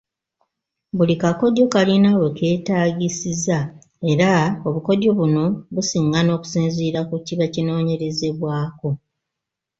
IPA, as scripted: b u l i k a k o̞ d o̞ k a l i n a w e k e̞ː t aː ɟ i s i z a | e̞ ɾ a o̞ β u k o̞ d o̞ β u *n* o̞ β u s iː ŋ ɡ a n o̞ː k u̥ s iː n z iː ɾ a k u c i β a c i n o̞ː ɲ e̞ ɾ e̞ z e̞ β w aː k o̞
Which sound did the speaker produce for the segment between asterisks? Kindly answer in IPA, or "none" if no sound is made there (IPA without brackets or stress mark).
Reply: n